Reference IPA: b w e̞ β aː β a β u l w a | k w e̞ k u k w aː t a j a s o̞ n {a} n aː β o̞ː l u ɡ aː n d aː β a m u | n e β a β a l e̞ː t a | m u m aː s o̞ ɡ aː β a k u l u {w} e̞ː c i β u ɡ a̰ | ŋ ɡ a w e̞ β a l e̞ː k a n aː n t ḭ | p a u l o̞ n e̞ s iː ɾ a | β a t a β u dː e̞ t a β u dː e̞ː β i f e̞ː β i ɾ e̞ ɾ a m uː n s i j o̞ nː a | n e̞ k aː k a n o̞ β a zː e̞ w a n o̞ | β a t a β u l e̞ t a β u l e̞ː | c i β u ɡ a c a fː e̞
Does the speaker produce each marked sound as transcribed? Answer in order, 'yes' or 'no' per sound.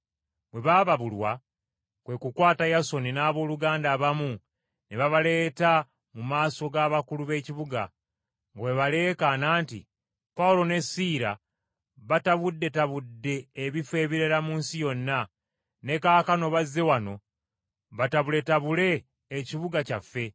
no, no

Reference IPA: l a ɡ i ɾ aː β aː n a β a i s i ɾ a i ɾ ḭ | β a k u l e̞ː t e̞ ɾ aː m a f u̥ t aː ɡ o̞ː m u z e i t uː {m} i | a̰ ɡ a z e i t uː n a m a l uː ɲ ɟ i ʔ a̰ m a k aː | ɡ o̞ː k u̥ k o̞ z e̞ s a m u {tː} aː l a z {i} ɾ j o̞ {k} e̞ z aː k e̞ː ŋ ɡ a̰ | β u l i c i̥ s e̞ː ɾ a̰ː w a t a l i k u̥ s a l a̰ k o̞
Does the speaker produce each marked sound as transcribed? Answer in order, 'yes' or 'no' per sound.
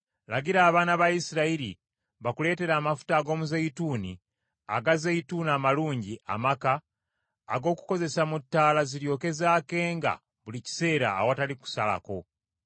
no, yes, yes, yes

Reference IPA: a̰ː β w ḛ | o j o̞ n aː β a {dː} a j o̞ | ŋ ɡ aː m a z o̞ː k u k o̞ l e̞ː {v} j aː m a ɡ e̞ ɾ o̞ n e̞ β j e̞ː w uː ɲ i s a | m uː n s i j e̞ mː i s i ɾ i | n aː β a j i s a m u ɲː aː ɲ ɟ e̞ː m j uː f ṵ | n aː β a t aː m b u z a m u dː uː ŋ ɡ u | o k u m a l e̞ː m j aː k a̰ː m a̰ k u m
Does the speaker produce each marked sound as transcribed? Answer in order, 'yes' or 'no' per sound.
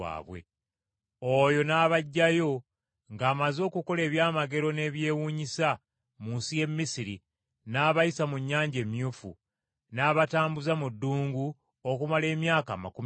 no, no

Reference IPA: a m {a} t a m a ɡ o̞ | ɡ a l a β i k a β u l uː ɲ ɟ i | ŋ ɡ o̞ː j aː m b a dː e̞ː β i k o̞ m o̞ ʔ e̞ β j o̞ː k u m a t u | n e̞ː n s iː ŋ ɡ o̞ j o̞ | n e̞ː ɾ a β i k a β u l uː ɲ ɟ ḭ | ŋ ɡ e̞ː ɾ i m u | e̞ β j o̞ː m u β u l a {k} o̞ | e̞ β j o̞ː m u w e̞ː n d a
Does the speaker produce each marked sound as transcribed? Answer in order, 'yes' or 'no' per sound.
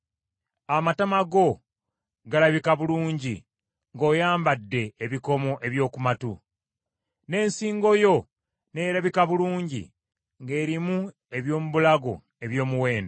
yes, no

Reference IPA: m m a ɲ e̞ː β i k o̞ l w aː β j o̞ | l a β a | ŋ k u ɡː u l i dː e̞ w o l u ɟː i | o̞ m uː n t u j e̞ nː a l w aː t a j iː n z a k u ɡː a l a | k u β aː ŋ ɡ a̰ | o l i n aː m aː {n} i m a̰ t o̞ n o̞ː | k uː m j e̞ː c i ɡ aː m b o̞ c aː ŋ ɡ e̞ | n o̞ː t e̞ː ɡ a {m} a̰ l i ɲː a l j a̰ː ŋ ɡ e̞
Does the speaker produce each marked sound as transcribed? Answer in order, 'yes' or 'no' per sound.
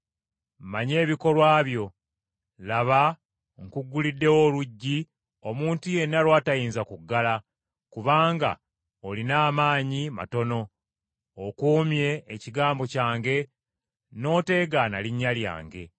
no, no

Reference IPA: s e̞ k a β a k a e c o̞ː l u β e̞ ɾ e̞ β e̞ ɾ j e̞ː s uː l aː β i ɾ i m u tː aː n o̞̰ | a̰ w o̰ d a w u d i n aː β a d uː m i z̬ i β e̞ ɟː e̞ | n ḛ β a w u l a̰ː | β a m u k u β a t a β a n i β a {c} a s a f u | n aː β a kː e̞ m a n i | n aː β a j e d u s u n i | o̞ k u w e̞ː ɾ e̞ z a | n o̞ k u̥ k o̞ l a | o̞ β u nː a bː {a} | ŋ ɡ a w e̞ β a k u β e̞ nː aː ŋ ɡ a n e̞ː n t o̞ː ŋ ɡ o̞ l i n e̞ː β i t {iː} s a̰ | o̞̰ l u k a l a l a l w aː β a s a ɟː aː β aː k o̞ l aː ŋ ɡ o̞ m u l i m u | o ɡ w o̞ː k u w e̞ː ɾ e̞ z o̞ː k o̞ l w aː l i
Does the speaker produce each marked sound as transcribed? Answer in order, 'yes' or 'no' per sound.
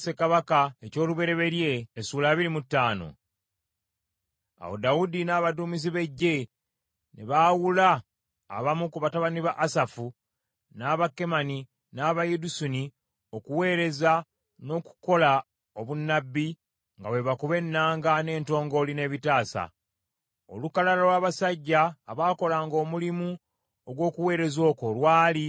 no, no, no

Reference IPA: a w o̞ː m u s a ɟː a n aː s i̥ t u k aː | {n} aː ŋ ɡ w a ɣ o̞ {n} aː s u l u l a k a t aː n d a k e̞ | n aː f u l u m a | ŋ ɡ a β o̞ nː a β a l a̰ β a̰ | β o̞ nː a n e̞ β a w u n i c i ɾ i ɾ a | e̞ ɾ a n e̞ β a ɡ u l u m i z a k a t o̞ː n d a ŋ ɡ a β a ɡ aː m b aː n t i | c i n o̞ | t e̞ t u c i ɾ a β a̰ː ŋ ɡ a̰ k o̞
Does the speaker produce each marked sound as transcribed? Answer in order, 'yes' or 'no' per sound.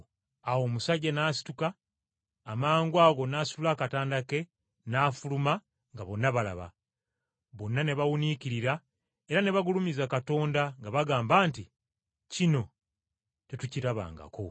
no, yes

